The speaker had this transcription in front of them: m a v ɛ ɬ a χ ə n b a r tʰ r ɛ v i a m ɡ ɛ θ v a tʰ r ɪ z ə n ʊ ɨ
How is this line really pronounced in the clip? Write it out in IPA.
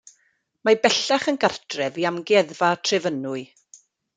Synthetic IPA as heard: m a b ɛ ɬ a χ ə n ɡ a r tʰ r ɛ v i a m ɡ ɛ ð v a tʰ r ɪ v ə n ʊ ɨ